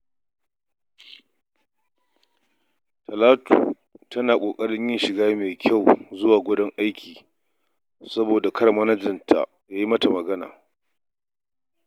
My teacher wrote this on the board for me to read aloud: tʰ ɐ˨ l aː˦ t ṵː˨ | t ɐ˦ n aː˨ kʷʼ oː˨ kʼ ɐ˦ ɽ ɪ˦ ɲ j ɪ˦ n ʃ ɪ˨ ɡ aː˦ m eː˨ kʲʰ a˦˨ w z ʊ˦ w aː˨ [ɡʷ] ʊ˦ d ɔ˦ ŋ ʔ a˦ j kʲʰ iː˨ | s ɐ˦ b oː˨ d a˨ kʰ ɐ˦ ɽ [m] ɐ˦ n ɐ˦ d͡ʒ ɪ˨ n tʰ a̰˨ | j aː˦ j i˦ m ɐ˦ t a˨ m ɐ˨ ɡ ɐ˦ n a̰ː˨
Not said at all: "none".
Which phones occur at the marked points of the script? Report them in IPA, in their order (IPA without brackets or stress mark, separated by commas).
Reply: ɡʷ, m